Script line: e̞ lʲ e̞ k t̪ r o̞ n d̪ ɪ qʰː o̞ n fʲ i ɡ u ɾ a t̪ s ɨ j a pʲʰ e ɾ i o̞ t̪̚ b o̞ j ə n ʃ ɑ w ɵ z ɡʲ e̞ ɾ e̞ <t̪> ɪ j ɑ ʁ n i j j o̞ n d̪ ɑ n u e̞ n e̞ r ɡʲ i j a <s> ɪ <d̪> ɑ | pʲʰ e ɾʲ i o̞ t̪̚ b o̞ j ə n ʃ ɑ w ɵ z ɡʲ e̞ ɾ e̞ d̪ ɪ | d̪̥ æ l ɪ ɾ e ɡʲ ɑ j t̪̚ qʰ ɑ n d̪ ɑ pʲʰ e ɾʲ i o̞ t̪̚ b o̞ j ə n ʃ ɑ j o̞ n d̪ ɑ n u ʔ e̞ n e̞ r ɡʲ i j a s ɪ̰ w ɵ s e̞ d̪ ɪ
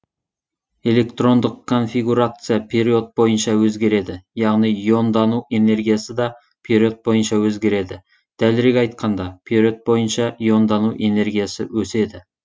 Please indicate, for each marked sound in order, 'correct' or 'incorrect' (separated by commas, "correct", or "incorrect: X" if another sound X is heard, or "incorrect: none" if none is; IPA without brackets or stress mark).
incorrect: d̪, correct, correct